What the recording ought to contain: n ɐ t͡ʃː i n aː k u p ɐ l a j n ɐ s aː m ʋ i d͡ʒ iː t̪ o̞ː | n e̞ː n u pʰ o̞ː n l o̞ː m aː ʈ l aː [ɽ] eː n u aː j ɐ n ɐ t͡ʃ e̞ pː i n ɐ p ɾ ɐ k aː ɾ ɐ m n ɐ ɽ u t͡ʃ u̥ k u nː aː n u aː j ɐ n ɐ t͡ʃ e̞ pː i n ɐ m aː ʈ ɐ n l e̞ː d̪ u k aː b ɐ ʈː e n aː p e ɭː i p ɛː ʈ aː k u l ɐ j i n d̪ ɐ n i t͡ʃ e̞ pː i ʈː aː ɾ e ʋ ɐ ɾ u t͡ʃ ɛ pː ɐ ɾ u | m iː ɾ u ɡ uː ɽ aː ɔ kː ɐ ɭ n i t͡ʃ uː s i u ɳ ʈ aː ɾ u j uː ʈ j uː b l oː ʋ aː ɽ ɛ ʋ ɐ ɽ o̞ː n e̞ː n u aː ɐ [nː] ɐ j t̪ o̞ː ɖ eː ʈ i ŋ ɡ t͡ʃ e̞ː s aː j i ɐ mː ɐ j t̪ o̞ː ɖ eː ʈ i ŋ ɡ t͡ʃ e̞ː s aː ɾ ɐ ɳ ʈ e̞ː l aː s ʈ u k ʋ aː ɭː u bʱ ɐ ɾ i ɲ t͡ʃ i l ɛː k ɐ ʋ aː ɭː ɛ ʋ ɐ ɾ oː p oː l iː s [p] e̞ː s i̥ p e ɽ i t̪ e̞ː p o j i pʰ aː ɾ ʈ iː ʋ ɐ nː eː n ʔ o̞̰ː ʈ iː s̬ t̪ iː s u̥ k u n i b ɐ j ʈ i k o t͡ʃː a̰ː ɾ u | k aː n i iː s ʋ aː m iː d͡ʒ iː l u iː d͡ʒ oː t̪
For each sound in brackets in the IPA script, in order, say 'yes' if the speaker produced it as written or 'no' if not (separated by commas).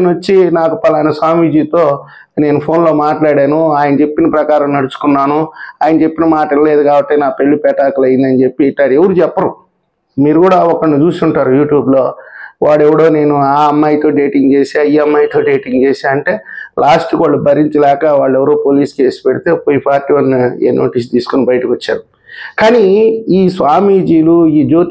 yes, no, no